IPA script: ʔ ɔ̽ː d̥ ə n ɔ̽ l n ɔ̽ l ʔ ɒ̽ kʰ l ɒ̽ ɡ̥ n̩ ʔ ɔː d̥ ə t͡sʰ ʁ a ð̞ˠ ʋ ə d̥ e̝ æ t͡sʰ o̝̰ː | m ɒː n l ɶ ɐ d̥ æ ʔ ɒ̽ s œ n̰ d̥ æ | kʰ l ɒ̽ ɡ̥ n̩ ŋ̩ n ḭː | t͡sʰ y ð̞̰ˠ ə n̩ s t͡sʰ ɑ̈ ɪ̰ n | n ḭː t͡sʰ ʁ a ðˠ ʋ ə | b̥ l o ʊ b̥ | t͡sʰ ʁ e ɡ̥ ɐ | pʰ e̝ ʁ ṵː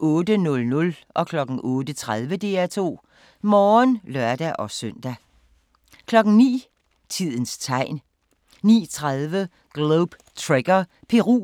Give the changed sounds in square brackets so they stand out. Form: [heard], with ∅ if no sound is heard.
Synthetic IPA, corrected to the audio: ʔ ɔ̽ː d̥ ə n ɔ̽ l n ɔ̽ l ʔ ɒ̽ kʰ l ɒ̽ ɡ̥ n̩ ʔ ɔː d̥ ə t͡sʰ ʁ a ð̞ˠ ʋ ə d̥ e̝ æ t͡sʰ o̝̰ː | m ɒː n l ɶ ɐ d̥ æ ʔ ɒ̽ s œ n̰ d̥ æ | kʰ l ɒ̽ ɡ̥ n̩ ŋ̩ n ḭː | t͡sʰ [i] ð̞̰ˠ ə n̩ s t͡sʰ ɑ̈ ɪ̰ n | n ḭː t͡sʰ ʁ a ðˠ ʋ ə | [ɡ̥] l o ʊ b̥ | t͡sʰ ʁ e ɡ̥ ɐ | pʰ e̝ ʁ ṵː